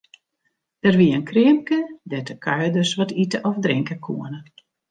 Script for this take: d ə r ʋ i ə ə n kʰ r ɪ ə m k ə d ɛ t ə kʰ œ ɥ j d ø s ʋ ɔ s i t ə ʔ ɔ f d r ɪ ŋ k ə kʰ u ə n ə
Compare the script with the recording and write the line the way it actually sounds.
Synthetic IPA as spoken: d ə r ʋ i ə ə n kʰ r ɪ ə m k ə d ɛ t ə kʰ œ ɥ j d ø s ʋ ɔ t i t ə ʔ ɔ f d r ɪ ŋ k ə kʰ u ə n ə